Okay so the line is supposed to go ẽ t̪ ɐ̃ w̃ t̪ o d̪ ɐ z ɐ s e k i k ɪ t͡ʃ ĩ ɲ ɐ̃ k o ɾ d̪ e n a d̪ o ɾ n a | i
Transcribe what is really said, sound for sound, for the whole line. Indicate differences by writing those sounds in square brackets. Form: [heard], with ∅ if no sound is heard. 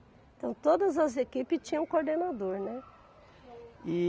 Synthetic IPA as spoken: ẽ t̪ ɐ̃ w̃ t̪ o d̪ ɐ z ɐ [z] e k i [p] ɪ t͡ʃ ĩ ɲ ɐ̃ k o ɾ d̪ e n a d̪ o ɾ n [ɛ] | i

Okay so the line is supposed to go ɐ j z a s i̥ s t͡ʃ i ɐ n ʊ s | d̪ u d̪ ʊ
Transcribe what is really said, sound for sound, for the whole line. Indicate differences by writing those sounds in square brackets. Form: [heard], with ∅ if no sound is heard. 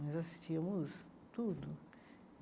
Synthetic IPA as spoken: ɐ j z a s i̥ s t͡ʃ i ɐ [m] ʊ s | [t̪] u d̪ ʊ

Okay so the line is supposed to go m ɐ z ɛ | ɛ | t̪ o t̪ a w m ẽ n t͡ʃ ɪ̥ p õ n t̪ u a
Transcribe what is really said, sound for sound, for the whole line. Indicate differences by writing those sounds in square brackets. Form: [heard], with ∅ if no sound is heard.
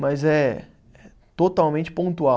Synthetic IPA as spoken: m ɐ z ɛ | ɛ | t̪ o t̪ a w m ẽ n t͡ʃ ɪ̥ p õ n t̪ u a

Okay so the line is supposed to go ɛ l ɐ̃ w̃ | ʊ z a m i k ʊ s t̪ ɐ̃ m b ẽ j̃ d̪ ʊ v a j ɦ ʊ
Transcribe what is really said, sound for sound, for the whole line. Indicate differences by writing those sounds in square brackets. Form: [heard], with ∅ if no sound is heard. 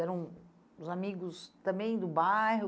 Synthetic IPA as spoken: ɛ [ɾ] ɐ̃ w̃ | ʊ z a m i [ɡ] ʊ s t̪ ɐ̃ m b ẽ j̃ d̪ ʊ [b] a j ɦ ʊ

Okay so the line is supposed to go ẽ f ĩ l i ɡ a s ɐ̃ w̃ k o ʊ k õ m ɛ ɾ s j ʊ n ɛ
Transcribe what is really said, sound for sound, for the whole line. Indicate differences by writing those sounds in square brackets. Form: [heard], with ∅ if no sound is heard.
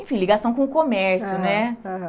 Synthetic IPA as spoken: ẽ f ĩ l i ɡ a s ɐ̃ w̃ k [õ] ʊ k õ m ɛ ɾ s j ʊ n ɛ

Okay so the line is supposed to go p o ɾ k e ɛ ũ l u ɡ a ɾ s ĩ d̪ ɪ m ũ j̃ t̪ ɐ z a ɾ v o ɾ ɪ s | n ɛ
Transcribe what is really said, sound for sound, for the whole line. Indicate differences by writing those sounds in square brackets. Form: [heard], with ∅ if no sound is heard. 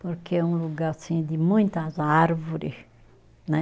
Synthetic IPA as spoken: p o ɾ k e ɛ ũ l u ɡ a ɾ s ĩ d̪ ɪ m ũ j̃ t̪ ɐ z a ɾ v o ɾ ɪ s | n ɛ

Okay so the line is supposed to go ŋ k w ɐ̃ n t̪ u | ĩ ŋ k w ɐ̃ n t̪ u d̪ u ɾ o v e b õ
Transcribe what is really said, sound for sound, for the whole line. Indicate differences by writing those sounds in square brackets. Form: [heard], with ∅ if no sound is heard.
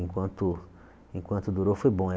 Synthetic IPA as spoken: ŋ k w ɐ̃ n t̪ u | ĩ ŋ k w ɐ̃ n t̪ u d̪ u ɾ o [f] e b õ

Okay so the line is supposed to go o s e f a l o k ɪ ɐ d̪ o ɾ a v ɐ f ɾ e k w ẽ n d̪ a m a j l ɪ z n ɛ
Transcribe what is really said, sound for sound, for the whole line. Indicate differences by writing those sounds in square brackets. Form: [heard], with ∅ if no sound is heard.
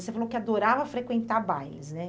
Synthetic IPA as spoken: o s e f a l o k ɪ [a] d̪ o ɾ a v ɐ f ɾ e k w ẽ n [t̪] a [b] a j l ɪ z n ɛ

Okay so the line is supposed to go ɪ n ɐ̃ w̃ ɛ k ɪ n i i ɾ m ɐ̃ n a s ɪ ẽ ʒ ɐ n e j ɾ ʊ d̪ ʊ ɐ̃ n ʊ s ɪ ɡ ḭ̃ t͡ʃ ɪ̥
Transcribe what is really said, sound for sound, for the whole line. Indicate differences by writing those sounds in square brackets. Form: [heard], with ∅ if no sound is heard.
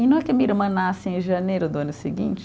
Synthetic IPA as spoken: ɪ n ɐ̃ w̃ ɛ k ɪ [m] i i ɾ m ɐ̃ n a s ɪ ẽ ʒ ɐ n e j ɾ ʊ d̪ ʊ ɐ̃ n ʊ s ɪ ɡ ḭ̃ t͡ʃ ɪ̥

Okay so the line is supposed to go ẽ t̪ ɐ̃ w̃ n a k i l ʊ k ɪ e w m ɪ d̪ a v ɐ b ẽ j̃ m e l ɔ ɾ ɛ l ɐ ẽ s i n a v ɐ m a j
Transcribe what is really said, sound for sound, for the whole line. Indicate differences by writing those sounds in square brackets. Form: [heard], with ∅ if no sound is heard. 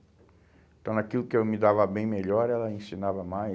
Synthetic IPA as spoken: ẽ t̪ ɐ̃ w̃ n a k i l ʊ k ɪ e w m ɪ d̪ a v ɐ b ẽ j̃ m e [ʎ] ɔ ɾ ɛ l ɐ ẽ s i n a v ɐ m a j

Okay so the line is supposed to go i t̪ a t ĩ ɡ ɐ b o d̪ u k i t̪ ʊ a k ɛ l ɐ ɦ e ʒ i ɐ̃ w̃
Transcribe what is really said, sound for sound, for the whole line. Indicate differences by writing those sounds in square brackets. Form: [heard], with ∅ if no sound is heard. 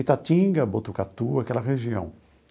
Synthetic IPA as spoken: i t̪ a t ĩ ɡ ɐ b o [t̪] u k [a] t̪ [u] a k ɛ l ɐ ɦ e ʒ i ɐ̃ w̃

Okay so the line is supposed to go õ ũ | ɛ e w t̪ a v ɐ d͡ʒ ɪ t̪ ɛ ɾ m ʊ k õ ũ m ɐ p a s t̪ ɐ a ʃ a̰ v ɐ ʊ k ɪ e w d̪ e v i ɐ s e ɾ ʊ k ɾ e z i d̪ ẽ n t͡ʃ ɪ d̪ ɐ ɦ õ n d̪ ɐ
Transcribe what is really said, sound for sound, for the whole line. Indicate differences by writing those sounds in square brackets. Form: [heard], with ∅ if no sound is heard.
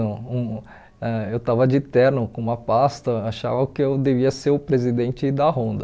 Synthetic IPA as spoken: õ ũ | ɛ e w t̪ a v ɐ d͡ʒ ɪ t̪ ɛ ɾ [n] ʊ k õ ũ m ɐ p a s t̪ ɐ a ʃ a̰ v ɐ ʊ k ɪ e w d̪ e v i ɐ s e ɾ ʊ [p] ɾ e z i d̪ ẽ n t͡ʃ ɪ d̪ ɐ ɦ õ n d̪ ɐ

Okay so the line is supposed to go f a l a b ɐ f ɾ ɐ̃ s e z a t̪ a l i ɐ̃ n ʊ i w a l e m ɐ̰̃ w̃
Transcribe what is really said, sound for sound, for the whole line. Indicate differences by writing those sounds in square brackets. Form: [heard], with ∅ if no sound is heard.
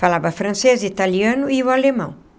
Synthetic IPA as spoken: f a l a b ɐ f ɾ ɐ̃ s e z [i] t̪ a l i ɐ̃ n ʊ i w a l e m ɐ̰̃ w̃

